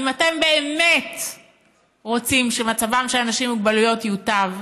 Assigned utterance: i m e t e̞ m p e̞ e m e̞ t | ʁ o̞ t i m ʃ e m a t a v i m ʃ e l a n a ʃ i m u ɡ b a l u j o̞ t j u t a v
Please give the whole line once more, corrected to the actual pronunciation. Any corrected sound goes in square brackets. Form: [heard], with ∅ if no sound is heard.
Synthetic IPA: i m [a] t e̞ m [b] e̞ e m e̞ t | ʁ o̞ [t͡s] i m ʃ e m a [t͡s] a v [a] m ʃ e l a n a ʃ i m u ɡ b a l u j o̞ t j u t a v